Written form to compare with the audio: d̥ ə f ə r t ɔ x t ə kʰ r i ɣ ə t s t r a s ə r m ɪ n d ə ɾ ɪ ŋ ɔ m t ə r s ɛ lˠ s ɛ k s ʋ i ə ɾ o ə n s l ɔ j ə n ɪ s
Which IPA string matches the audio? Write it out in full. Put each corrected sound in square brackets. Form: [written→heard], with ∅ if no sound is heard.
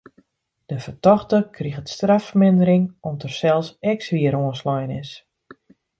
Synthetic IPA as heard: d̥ ə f ə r t ɔ x t ə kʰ r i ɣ ə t s t r a [s→f] ə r m ɪ n d ə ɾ ɪ ŋ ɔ m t ə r s ɛ lˠ s ɛ k s ʋ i ə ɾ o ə n s l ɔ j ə n ɪ s